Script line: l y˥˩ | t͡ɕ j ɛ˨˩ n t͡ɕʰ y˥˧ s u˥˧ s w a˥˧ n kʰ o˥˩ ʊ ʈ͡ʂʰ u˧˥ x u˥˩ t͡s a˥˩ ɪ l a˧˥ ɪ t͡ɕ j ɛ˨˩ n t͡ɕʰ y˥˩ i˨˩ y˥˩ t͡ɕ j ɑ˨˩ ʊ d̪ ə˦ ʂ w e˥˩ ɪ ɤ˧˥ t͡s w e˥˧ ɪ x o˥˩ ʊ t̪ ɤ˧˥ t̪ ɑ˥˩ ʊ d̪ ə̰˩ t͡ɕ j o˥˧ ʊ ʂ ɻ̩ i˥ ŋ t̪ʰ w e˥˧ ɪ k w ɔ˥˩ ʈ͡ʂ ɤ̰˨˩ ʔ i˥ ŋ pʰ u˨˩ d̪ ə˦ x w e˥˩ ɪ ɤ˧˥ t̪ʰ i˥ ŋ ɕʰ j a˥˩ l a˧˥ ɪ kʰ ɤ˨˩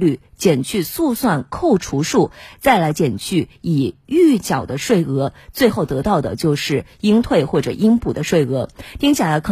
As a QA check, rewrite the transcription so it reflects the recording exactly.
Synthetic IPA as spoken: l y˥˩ | t͡ɕ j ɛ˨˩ n t͡ɕʰ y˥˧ s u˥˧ s w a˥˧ n kʰ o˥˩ ʊ ʈ͡ʂʰ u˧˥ ʂ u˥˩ t͡s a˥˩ ɪ l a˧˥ ɪ t͡ɕ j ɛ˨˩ n t͡ɕʰ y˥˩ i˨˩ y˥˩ t͡ɕ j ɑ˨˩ ʊ d̪ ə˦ ʂ w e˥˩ ɪ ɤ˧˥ t͡s w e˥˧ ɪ x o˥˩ ʊ t̪ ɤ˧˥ t̪ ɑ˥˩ ʊ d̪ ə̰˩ t͡ɕ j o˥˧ ʊ ʂ ɻ̩ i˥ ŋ t̪ʰ w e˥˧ ɪ x w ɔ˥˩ ʈ͡ʂ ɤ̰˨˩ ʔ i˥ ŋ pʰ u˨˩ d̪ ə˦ ʂ w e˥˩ ɪ ɤ˧˥ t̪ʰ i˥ ŋ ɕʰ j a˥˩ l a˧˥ ɪ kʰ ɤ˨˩